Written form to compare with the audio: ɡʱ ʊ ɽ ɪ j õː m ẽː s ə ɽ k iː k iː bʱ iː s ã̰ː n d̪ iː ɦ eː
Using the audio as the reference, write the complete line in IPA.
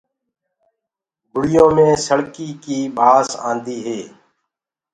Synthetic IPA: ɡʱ ʊ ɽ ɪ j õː m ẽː s ə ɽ k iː k iː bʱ aː s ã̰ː n d̪ iː ɦ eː

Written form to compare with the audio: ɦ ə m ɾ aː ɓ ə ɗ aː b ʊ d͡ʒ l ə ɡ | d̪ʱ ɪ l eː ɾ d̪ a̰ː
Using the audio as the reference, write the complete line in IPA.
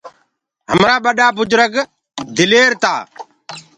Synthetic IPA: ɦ ə m ɾ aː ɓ ə ɗ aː b ʊ d͡ʒ ɾ ə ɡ | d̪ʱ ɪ l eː ɾ t̪ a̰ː

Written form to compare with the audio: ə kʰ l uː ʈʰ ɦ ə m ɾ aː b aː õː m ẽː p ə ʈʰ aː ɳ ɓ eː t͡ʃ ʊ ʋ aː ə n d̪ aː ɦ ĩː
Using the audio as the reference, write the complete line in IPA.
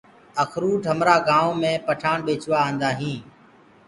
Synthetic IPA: ə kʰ ɾ uː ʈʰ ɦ ə m ɾ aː ɡ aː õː m ẽː p ə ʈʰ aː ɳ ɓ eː t͡ʃ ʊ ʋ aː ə n d̪ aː ɦ ĩː

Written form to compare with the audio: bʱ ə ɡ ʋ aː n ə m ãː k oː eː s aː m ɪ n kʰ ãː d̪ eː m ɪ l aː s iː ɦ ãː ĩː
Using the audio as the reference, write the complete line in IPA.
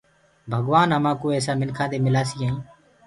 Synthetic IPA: bʱ ə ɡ ʋ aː n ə m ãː k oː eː s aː m ɪ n kʰ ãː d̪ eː m ɪ l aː s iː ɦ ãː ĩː

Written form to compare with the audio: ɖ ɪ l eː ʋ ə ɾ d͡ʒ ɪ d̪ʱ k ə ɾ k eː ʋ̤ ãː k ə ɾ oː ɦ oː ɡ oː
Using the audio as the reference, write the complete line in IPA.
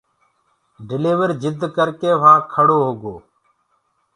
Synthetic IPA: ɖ ɪ l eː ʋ ə ɾ d͡ʒ ɪ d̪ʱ k ə ɾ k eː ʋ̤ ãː kʰ ə ɽ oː ɦ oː ɡ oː

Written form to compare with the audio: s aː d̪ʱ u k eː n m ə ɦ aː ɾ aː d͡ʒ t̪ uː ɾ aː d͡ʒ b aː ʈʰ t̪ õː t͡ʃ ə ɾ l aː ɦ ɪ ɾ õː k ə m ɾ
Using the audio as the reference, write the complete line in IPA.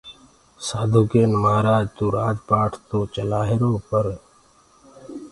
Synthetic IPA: s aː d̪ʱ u k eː n m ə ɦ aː ɾ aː d͡ʒ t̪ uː ɾ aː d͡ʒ p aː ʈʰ t̪ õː t͡ʃ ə l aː ɦ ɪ ɾ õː p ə ɾ

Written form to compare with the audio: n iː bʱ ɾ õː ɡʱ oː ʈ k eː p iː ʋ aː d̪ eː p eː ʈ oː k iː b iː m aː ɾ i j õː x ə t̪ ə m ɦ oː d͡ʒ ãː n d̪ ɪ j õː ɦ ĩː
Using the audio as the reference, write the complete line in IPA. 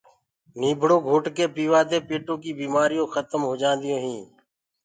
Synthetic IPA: n iː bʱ ɽ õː ɡʱ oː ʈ k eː p iː ʋ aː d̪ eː p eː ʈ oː k iː b iː m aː ɾ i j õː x ə t̪ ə m ɦ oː d͡ʒ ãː n d̪ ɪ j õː ɦ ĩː

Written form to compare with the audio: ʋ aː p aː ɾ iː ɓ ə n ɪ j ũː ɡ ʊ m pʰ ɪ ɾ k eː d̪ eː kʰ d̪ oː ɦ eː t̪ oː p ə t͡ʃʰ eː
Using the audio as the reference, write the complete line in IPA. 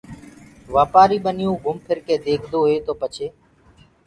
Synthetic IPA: ʋ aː p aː ɾ iː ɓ ə n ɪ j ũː ɡ ʊ m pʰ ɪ ɾ k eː d̪ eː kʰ d̪ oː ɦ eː t̪ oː p ə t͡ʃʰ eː

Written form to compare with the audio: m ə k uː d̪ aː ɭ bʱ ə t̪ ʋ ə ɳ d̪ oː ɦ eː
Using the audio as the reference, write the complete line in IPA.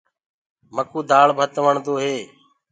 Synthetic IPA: m ə k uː d̪ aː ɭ bʱ ə t̪ ʋ ə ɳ d̪ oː ɦ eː

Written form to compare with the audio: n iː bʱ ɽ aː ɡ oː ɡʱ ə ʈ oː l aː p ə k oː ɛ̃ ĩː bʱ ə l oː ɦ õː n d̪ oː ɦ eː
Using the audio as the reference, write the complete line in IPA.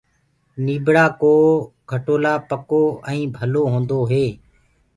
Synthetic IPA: n iː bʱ ɽ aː k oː ɡʱ ə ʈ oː l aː p ə k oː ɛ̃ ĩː bʱ ə l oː ɦ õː n d̪ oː ɦ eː

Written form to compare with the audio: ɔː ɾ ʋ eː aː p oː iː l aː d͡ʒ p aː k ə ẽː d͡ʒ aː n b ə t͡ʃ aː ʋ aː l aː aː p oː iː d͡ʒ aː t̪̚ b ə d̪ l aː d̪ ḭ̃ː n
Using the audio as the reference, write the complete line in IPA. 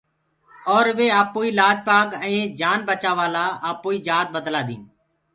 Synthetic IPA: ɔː ɾ ʋ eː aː p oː iː l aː d͡ʒ p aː k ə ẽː d͡ʒ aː n b ə t͡ʃ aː ʋ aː l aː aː p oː iː d͡ʒ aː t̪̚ b ə d̪ l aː d̪ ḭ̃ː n

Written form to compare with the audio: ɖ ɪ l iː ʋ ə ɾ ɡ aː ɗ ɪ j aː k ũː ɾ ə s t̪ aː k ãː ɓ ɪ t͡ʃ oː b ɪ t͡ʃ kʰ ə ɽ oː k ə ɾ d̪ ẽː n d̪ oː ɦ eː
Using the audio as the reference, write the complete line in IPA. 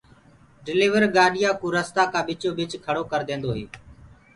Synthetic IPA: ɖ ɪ l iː ʋ ə ɾ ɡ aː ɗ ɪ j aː k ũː ɾ ə s t̪ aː k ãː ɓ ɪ t͡ʃ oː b ɪ t͡ʃ kʰ ə ɽ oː k ə ɾ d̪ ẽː n d̪ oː ɦ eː

